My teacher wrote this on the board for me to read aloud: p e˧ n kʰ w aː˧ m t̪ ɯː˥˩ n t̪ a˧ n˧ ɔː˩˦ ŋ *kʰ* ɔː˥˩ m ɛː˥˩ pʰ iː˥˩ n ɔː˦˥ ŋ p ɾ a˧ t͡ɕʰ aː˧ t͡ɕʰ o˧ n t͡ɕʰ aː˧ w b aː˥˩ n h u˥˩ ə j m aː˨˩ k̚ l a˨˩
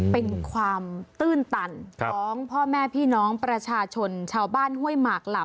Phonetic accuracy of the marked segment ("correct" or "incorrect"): incorrect